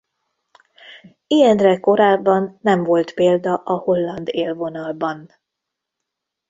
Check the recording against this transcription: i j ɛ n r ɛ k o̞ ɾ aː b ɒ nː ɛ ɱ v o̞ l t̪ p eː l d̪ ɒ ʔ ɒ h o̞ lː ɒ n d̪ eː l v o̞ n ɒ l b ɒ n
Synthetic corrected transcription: i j ɛ n r ɛ k o̞ ɾ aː bː ɒ nː ɛ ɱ v o̞ l t̪ p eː l d̪ ɒ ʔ ɒ h o̞ lː ɒ n d̪ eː l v o̞ n ɒ l b ɒ n